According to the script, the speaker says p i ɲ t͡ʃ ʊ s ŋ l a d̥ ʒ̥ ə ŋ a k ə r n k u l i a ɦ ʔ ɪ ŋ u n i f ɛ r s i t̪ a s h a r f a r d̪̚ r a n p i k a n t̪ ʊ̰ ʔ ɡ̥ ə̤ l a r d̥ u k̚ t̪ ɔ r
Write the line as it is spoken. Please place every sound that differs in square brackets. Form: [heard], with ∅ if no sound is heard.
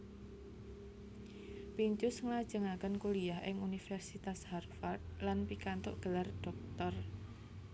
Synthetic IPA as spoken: p i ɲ t͡ʃ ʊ s ŋ l a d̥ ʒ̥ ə ŋ a k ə [∅] n k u l i a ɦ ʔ ɪ ŋ u n i f ɛ r s i t̪ a s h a r f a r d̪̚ [l] a n p i k a n t̪ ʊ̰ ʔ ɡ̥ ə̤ l a r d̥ [ɔ] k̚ t̪ ɔ r